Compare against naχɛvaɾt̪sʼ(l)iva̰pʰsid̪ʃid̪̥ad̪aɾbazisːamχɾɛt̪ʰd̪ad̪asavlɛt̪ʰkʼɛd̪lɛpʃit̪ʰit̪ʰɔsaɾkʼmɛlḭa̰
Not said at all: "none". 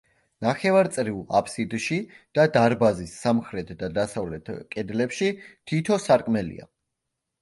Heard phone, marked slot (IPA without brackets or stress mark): ɾ